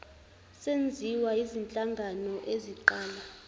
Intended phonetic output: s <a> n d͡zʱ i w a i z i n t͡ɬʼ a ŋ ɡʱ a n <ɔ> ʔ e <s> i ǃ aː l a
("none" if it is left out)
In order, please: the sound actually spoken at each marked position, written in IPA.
e, ɔ, z

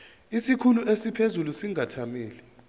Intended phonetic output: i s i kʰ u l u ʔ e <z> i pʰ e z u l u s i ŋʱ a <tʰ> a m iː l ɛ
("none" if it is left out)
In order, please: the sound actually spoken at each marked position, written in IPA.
s, tʰ

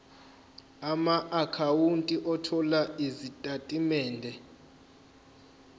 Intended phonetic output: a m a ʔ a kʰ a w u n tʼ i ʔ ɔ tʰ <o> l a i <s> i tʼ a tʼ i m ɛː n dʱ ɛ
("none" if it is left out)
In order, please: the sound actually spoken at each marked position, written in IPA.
ɔ, z

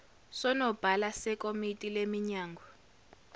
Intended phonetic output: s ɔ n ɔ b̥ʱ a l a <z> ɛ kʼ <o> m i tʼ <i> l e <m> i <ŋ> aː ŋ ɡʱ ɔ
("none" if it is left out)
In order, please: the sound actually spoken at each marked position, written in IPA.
s, o, i, m, ɲ

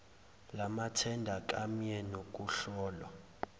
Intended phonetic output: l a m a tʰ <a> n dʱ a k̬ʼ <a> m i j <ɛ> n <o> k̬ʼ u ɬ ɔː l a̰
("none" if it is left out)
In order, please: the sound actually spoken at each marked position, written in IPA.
ɛ, a, ɛ, o

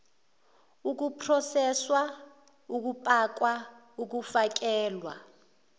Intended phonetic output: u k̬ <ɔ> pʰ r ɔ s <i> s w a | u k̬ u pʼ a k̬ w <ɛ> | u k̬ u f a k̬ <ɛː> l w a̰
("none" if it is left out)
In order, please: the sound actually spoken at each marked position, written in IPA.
u, ɛ, a, ɛː

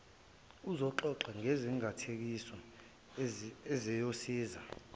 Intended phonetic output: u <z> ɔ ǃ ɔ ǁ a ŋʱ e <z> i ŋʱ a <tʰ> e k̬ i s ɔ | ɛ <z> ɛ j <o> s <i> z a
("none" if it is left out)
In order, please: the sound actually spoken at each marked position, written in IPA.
z, z, tʰ, z, o, iː

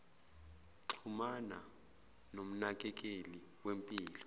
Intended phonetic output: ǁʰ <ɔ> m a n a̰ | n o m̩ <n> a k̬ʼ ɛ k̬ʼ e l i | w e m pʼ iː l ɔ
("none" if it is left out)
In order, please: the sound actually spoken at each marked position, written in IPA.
u, n

